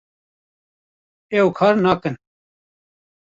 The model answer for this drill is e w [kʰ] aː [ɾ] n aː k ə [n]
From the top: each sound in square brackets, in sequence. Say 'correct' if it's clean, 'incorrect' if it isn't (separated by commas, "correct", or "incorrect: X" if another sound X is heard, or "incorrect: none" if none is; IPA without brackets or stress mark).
correct, correct, correct